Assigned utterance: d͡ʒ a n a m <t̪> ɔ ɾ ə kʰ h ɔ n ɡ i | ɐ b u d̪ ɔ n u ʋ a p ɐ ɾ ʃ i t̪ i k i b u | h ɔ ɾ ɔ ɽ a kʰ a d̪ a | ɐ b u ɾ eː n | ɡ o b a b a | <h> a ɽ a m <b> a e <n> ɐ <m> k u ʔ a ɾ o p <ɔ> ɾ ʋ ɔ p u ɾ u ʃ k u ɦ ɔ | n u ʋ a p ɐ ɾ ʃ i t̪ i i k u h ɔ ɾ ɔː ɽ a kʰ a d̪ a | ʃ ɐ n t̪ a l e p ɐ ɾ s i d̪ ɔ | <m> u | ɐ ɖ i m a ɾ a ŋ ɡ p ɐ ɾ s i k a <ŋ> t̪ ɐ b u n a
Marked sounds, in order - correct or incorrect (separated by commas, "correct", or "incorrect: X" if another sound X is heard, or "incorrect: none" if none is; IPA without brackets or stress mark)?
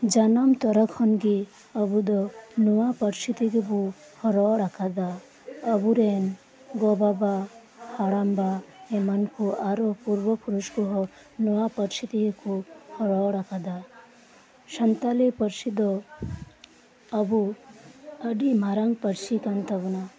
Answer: correct, correct, correct, incorrect: m, incorrect: n, incorrect: u, incorrect: b, incorrect: n